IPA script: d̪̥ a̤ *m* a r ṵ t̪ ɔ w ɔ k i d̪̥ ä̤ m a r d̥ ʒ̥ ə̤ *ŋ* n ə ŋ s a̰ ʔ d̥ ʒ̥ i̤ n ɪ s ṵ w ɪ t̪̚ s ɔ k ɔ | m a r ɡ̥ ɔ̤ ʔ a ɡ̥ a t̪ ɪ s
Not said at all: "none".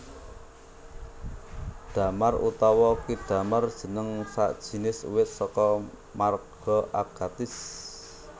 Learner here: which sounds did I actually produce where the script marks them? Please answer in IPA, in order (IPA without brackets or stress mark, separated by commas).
m, none